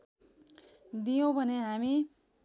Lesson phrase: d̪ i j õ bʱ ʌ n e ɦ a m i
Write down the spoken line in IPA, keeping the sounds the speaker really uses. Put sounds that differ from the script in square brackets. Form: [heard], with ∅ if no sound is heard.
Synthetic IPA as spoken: d̪ i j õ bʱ ʌ n e ɦ a m i